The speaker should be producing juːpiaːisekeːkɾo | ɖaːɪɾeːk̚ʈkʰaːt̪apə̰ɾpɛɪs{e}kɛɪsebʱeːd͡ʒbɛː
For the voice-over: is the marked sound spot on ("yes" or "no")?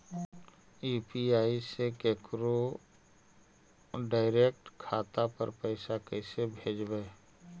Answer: no